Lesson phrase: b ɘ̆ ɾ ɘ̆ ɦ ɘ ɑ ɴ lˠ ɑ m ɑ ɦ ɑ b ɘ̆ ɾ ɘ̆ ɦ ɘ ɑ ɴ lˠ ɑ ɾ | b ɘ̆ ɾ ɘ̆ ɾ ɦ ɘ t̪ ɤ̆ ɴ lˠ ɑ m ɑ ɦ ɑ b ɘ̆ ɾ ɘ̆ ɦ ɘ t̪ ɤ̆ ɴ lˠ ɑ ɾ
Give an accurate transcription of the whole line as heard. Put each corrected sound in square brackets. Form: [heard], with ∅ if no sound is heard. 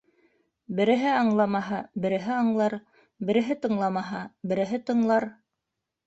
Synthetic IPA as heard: b ɘ̆ ɾ ɘ̆ ɦ ɘ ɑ ɴ lˠ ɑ m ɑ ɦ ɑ b ɘ̆ ɾ ɘ̆ ɦ ɘ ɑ ɴ lˠ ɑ ɾ | b ɘ̆ ɾ ɘ̆ [∅] ɦ ɘ t̪ ɤ̆ ɴ lˠ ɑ m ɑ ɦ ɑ b ɘ̆ ɾ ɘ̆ ɦ ɘ t̪ ɤ̆ ɴ lˠ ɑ ɾ

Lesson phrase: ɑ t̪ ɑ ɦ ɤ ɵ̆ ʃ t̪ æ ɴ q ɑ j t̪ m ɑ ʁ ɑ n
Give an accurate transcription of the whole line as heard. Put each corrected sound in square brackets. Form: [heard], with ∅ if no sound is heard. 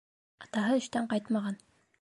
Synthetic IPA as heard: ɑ t̪ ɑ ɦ ɤ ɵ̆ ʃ t̪ æ ɴ q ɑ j t̪ m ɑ ʁ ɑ n

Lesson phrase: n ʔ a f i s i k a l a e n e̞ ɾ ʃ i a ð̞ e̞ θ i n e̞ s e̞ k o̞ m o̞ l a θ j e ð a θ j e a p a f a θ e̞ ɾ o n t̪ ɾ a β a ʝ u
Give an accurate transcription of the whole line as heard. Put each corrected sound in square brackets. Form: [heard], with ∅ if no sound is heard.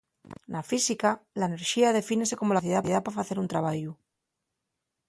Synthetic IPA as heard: n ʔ a f i s i k a l a e n e̞ ɾ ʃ i a ð̞ e̞ [f] i n e̞ s e̞ k o̞ m o̞ l a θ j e ð a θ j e a p a f a θ e̞ ɾ [u] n t̪ ɾ a β a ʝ u

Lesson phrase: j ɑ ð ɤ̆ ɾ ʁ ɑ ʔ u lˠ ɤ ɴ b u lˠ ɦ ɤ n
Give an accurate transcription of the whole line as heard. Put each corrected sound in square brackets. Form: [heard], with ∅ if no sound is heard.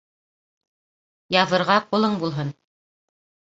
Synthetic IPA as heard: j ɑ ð ɤ̆ ɾ ʁ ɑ [q] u lˠ ɤ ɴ b u lˠ ɦ ɤ n

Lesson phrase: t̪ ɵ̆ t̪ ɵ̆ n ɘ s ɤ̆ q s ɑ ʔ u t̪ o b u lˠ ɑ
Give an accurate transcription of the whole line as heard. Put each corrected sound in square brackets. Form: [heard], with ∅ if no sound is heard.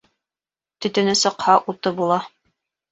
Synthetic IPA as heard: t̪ ɵ̆ t̪ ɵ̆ n ɘ s ɤ̆ q [h] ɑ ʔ u t̪ [ɤ] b u lˠ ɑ

